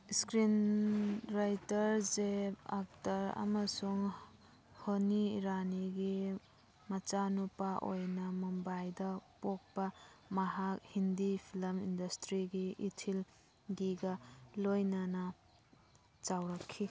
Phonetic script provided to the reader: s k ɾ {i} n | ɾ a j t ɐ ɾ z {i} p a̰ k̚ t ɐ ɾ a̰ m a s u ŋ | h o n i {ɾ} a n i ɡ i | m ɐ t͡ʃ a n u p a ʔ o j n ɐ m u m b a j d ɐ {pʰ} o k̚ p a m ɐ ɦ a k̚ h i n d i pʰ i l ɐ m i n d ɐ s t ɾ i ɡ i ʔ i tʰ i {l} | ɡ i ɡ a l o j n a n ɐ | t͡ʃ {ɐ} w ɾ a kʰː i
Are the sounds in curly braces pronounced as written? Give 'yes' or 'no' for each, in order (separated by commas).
yes, no, yes, no, yes, no